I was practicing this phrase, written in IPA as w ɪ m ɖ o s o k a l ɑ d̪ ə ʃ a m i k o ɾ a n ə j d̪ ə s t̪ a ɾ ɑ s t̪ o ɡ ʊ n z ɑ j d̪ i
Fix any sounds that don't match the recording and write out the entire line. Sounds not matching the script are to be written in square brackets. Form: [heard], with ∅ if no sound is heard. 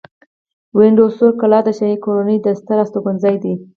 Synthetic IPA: w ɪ [ɳ] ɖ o s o k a l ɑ d̪ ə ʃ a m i k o ɾ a n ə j d̪ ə s t̪ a ɾ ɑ s t̪ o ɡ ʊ n z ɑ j d̪ i